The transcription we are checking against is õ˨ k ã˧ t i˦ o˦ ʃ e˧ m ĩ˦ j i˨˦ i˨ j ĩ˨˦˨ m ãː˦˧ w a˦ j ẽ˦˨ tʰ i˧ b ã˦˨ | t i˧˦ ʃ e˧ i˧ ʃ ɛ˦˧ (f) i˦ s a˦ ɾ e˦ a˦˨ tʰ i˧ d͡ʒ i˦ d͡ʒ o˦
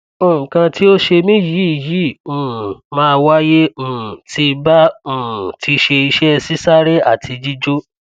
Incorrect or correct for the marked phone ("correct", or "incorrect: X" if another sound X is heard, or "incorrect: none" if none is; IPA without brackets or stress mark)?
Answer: incorrect: s